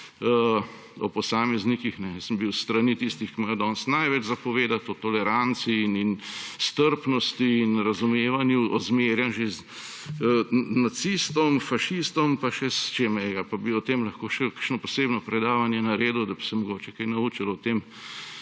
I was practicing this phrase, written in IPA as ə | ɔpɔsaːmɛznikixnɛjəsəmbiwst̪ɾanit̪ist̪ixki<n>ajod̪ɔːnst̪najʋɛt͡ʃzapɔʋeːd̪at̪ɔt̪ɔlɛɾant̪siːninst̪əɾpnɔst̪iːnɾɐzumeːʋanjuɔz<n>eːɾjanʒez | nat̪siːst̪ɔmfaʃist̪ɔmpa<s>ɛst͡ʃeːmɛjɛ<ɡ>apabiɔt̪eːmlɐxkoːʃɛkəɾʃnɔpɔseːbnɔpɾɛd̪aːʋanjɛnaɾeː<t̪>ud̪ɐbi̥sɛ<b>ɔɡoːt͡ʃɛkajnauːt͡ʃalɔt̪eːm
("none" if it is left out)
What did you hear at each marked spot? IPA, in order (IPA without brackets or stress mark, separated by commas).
m, m, ʃ, ɡ, d̪, m